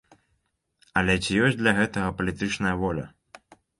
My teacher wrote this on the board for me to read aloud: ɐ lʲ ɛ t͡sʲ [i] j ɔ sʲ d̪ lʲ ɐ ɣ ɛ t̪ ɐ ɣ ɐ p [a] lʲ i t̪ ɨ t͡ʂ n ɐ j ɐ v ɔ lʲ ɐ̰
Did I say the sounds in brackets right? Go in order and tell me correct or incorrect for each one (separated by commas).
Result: correct, incorrect